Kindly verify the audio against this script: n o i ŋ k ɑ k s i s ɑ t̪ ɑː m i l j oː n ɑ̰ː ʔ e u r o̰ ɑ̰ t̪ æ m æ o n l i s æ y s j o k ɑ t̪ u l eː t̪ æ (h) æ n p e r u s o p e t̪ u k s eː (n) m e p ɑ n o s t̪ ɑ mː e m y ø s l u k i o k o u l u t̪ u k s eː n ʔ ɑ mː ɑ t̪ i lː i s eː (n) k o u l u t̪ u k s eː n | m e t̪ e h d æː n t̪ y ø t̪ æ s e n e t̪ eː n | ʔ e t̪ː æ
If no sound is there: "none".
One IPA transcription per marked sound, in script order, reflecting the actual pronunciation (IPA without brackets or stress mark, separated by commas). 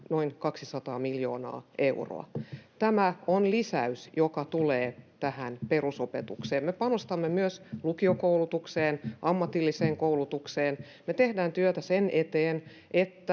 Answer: h, m, ŋ